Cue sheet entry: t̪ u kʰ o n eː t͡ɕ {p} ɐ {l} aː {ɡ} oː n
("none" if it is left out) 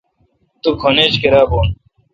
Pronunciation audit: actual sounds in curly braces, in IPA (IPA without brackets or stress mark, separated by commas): k, ɾ, b